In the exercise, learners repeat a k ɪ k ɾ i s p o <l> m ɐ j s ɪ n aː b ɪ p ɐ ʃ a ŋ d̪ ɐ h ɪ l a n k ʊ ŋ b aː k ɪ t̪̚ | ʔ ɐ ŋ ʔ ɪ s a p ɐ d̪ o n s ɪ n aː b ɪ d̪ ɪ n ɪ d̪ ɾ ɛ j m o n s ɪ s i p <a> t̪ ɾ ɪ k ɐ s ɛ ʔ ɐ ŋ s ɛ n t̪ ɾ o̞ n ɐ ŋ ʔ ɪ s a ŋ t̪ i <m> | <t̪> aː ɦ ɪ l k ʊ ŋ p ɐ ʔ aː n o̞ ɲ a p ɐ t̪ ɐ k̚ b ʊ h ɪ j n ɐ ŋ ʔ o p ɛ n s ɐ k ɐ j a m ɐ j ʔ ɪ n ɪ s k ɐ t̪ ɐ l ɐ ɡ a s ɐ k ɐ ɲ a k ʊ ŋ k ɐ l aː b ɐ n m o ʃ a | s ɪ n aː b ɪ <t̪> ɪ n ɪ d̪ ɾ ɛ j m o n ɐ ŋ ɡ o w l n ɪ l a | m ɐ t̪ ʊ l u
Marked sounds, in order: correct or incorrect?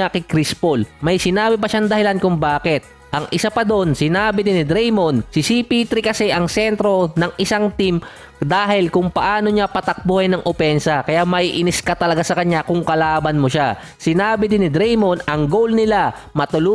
correct, incorrect: i, correct, incorrect: d̪, incorrect: d̪

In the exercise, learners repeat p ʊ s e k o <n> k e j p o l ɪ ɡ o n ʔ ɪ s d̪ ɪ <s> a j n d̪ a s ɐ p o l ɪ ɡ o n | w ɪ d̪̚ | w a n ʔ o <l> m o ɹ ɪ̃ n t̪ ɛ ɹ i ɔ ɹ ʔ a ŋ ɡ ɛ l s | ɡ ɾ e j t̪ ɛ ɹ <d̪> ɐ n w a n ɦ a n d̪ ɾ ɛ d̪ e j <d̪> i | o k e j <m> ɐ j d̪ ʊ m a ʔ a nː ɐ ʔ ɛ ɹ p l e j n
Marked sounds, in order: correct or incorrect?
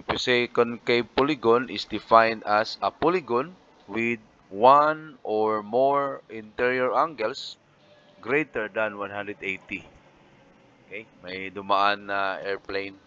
correct, incorrect: f, incorrect: ɹ, correct, incorrect: t̪, correct

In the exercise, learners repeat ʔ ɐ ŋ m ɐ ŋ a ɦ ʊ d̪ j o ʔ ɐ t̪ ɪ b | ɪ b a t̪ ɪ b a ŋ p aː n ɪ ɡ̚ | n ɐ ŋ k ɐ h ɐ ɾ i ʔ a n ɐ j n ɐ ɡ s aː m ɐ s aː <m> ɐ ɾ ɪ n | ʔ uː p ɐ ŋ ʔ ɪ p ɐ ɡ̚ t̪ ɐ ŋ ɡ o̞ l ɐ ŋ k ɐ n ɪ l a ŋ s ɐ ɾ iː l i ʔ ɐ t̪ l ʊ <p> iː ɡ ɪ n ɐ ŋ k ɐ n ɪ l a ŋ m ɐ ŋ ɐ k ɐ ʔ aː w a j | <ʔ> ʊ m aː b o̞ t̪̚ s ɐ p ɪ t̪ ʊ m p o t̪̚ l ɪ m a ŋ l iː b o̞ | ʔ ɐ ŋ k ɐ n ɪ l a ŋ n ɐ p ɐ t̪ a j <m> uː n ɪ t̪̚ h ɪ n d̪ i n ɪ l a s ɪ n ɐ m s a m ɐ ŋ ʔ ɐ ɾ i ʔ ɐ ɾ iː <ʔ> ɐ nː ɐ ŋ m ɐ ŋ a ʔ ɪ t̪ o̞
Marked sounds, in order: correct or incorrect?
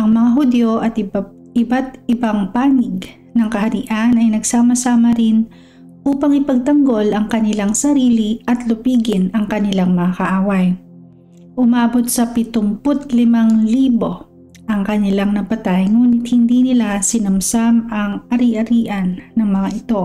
correct, correct, correct, incorrect: ŋ, correct

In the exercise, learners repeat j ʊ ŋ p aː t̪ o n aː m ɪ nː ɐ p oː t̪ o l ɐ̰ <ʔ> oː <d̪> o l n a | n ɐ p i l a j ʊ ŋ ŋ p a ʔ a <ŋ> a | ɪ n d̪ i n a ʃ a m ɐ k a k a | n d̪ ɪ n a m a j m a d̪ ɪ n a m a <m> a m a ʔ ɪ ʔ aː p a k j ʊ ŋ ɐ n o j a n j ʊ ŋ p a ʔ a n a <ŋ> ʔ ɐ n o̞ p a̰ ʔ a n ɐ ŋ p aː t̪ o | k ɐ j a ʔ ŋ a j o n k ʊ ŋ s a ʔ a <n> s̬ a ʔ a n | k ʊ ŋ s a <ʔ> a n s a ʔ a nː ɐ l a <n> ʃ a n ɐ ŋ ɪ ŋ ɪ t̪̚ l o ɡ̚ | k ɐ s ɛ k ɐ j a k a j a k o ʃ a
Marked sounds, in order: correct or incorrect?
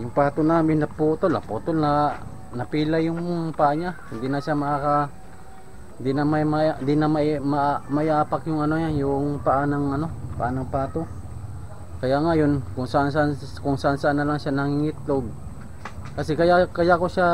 incorrect: p, incorrect: t̪, incorrect: ɲ, correct, correct, correct, correct, incorrect: ŋ

